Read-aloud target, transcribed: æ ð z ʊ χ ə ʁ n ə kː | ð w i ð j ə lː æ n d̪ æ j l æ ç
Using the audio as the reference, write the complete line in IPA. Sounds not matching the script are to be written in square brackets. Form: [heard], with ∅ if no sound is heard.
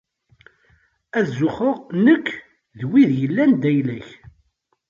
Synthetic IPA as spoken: æ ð z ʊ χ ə ʁ n ə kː | ð w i ð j ə lː æ n d̪ æ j l æ ç